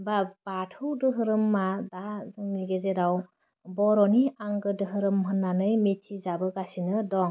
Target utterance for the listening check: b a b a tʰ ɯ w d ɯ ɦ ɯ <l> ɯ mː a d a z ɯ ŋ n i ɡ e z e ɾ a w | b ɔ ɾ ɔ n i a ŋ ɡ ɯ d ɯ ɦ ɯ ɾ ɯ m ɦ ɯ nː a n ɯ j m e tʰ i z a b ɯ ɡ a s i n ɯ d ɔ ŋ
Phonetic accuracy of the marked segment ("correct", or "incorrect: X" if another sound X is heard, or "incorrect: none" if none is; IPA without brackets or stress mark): incorrect: ɾ